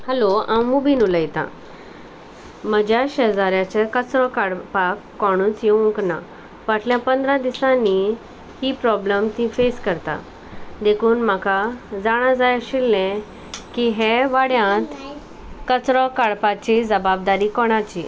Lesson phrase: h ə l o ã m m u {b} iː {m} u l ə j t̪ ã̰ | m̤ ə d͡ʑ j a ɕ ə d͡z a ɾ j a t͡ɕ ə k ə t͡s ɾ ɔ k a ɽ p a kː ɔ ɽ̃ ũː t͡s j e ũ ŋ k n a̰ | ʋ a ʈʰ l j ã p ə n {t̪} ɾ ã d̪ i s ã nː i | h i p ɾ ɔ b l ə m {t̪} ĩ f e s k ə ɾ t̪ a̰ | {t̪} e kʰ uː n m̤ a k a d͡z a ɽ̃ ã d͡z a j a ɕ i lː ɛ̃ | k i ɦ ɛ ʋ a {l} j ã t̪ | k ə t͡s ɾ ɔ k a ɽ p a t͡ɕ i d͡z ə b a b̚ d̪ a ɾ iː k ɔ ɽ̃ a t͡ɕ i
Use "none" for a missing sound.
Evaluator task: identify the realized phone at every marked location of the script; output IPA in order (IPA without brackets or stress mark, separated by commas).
b, n, d̪, t̪, d̪, ɽ